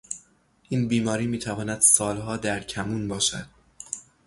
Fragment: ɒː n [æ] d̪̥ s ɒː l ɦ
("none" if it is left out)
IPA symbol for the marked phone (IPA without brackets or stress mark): æ